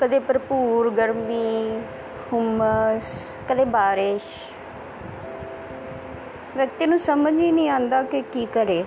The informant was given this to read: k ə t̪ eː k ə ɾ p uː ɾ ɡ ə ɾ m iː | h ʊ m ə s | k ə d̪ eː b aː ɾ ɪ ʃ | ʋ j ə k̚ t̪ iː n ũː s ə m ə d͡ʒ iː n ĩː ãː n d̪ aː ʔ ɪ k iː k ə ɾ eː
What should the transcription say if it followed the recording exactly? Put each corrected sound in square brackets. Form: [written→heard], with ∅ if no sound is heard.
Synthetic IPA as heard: k ə [t̪→d̪] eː [k→p] ə ɾ p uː ɾ ɡ ə ɾ m iː | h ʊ m ə s | k ə d̪ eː b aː ɾ ɪ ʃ | ʋ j ə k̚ t̪ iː n ũː s ə m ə d͡ʒ iː n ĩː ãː n d̪ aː [ʔ→k] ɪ k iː k ə ɾ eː